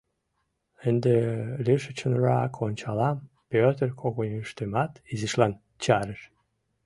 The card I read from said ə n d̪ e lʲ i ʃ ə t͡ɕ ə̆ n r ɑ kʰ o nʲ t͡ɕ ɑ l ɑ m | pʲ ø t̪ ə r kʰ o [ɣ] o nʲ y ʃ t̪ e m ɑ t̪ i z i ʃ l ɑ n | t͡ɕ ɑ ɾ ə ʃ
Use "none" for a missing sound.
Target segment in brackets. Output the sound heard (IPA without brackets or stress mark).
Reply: ɣ